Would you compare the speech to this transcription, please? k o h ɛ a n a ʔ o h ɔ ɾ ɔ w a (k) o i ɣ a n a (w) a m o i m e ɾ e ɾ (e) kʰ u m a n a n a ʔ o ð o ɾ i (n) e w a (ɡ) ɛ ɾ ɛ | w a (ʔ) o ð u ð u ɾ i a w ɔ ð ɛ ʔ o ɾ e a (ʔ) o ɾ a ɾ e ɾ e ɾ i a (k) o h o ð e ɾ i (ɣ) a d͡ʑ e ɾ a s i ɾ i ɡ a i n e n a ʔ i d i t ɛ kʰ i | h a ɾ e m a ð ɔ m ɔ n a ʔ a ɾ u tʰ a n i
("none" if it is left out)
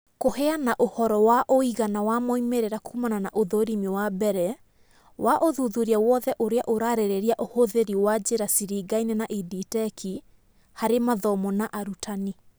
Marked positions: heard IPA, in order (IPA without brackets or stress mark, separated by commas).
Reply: ʔ, w, a, m, b, ʔ, ʔ, ʔ, w